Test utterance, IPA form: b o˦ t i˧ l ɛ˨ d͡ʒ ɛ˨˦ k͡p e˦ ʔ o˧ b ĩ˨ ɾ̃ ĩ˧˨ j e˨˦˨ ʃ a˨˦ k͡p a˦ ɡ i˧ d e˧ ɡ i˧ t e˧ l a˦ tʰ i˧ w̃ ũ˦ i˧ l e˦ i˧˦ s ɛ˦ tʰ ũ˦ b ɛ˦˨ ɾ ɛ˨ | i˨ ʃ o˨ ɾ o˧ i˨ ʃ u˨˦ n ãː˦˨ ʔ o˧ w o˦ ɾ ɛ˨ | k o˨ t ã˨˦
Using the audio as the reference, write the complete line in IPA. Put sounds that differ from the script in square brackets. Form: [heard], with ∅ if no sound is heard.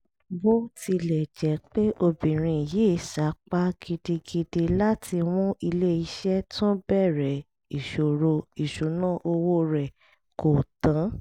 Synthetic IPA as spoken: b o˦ t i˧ l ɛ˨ d͡ʒ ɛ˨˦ k͡p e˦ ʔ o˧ b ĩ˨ ɾ̃ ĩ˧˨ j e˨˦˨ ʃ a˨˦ k͡p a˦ ɡ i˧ d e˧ ɡ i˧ [d] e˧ l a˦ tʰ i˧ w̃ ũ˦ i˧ l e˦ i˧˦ [ʃ] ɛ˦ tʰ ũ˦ b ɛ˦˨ ɾ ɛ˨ | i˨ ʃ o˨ ɾ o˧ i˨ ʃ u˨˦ n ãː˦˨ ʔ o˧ w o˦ ɾ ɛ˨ | k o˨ t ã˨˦